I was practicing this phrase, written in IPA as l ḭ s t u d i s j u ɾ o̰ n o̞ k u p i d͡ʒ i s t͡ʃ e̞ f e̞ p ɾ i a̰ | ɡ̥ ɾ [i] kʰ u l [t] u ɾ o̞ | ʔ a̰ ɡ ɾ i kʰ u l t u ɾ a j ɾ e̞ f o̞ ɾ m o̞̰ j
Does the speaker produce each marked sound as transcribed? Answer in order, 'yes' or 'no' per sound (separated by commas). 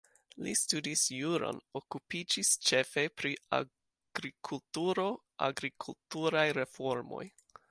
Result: yes, yes